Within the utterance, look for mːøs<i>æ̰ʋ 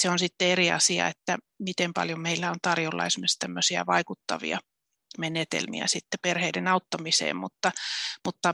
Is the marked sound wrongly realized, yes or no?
no